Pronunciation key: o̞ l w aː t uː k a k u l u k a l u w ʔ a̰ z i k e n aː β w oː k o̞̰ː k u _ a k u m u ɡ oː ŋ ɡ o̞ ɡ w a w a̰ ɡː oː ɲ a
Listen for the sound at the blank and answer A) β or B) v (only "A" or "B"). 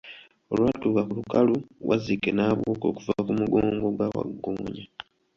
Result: B